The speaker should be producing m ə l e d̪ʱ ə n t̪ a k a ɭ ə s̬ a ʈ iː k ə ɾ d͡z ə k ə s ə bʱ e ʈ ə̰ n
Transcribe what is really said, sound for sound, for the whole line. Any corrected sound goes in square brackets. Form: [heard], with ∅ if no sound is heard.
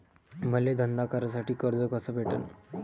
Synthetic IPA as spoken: m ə l e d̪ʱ ə n [d̪] a k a [ɾ] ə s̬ a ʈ iː k ə ɾ d͡z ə k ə s ə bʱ e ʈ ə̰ n